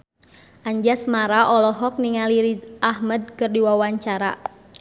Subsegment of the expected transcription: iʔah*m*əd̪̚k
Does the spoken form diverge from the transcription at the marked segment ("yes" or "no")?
no